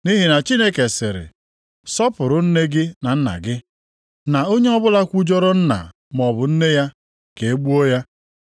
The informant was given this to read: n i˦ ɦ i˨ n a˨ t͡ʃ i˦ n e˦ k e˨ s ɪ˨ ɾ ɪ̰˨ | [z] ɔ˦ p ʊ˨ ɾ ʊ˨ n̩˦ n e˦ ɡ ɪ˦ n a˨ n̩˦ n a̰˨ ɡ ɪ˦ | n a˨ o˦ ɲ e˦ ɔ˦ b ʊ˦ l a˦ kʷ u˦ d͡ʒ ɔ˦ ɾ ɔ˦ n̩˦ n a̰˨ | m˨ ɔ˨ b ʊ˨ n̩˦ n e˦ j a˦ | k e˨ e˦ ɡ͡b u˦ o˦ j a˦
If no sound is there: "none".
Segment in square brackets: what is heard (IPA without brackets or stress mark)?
s